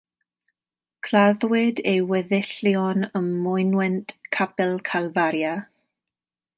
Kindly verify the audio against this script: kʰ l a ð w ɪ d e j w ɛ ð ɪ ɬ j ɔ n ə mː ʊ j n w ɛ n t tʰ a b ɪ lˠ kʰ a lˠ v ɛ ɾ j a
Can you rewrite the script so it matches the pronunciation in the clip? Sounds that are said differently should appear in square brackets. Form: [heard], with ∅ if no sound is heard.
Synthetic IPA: kʰ l a ð w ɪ d e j w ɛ ð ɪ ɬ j ɔ n ə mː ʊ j n w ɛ n t [kʰ] a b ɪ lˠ kʰ a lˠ v [a] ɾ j a

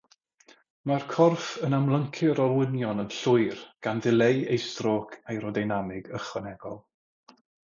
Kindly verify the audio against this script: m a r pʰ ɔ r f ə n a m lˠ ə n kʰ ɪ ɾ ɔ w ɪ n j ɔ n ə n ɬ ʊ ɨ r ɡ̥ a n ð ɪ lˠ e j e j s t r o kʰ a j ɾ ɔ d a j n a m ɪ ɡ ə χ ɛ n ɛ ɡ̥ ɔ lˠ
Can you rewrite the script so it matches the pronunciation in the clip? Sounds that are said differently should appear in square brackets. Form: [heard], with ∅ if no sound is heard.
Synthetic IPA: m a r [kʰ] ɔ r f ə n a m lˠ ə [ŋ] kʰ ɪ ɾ ɔ w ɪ n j ɔ n ə n ɬ ʊ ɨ r ɡ̥ a n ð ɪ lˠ e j e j s t r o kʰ a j ɾ ɔ d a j n a m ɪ ɡ ə χ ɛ n ɛ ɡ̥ ɔ lˠ

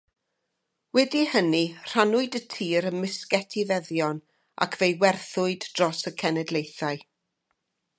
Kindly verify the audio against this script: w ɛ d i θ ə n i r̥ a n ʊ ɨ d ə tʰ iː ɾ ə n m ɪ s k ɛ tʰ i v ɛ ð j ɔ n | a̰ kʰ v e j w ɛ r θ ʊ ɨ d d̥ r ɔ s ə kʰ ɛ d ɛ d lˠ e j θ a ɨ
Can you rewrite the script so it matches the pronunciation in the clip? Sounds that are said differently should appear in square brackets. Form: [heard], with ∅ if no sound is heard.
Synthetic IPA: w ɛ d i [h] ə n i r̥ a n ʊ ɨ d ə tʰ iː ɾ ə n m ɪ s k ɛ tʰ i v ɛ ð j ɔ n | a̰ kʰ v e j w ɛ r θ ʊ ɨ d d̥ r ɔ s ə kʰ ɛ [n] ɛ d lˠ e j θ a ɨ

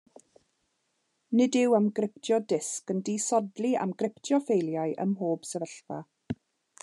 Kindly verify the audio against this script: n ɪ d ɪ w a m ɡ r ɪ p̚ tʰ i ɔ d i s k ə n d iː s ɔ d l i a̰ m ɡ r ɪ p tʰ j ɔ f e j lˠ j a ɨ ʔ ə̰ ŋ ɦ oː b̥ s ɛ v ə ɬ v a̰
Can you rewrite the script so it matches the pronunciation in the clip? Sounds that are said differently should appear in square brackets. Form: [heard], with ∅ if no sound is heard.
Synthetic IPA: n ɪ d ɪ w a m ɡ r ɪ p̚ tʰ [j] ɔ d [ɪ] s k ə n d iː s ɔ d l i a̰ m ɡ r ɪ p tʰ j ɔ f e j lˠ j a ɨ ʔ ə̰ [m] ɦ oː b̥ s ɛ v ə ɬ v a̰

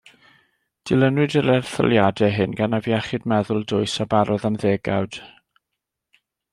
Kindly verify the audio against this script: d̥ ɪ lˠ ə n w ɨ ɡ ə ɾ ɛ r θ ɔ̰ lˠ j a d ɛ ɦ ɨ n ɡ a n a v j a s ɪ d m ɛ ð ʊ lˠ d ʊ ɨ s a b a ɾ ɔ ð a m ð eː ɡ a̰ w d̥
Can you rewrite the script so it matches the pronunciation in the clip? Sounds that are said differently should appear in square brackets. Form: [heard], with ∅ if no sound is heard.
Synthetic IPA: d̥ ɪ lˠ ə n w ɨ [d] ə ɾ ɛ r θ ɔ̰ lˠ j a d ɛ ɦ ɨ n ɡ a n a v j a [χ] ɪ d m ɛ ð ʊ lˠ d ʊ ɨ s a b a ɾ ɔ ð a m ð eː ɡ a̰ w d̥

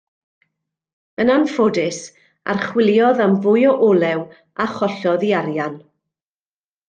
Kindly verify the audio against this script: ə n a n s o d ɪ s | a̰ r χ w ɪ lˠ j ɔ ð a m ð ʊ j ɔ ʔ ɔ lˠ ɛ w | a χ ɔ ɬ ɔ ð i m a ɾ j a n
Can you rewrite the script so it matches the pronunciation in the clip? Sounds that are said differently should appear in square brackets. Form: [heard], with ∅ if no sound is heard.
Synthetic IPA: ə n a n [f] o d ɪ s | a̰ r χ w ɪ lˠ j ɔ ð a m [v] ʊ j ɔ ʔ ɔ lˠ ɛ w | a χ ɔ ɬ ɔ ð i [∅] a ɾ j a n

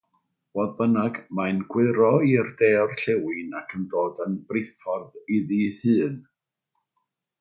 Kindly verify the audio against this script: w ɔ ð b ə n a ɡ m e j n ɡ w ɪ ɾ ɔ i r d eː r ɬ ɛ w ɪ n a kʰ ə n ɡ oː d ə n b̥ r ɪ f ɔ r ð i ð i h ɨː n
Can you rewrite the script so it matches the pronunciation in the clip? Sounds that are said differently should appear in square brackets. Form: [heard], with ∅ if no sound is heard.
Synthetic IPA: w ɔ ð b ə n a ɡ m [a] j n ɡ w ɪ ɾ ɔ i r d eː r ɬ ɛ w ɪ n a kʰ ə n [d] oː d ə n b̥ r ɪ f ɔ r ð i ð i h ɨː n

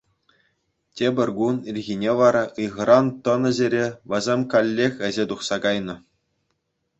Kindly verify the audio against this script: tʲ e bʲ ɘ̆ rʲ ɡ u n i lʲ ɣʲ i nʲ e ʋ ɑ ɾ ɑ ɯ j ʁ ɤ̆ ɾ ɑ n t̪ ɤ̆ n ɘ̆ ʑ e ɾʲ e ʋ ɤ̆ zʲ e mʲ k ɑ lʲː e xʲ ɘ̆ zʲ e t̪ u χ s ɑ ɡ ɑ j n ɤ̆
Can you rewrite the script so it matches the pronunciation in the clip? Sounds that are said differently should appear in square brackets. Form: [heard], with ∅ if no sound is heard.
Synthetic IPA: tʲ e bʲ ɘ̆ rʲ ɡ u n i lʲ ɣʲ i nʲ e ʋ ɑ ɾ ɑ ɯ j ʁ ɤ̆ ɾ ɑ n t̪ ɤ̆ n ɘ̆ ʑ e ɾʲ e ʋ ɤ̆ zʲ e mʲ k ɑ lʲː e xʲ ɘ̆ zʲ e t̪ u χ s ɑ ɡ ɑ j n ɤ̆

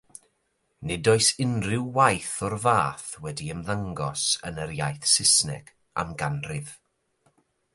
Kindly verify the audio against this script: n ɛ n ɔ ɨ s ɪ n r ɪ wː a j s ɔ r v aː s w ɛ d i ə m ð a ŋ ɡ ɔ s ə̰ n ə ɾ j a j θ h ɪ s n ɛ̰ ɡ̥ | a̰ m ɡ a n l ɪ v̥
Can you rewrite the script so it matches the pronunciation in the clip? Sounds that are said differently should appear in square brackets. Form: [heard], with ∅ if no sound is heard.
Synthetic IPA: n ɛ [d] ɔ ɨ s ɪ n r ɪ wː a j [θ] ɔ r v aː [θ] w ɛ d i ə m ð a ŋ ɡ ɔ s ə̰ n ə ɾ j a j θ [s] ɪ s n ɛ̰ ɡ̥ | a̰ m ɡ a n [r] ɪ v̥

